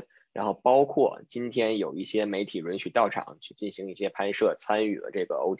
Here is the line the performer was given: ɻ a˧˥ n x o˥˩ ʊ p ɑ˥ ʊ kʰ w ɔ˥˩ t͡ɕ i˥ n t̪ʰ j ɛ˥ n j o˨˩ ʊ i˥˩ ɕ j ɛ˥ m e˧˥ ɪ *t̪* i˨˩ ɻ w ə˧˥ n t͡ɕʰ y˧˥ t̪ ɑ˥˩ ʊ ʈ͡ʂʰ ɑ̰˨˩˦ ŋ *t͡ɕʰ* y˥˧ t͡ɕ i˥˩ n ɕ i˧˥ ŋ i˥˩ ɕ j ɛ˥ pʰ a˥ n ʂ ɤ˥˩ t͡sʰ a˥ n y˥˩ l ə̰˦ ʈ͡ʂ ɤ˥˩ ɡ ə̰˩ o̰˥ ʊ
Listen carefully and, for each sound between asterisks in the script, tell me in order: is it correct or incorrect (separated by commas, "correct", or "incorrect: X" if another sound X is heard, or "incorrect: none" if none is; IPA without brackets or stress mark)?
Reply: incorrect: t̪ʰ, correct